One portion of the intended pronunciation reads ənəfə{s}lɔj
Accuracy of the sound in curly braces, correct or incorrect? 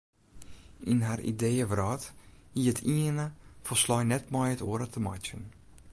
correct